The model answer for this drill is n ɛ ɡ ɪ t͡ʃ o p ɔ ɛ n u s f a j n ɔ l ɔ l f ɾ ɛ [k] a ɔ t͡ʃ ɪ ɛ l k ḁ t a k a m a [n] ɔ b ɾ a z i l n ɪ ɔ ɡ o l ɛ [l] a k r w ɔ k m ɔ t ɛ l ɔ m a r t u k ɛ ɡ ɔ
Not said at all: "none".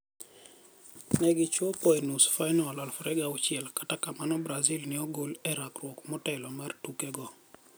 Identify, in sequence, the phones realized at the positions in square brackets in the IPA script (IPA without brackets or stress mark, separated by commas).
ɡ, n, ɾ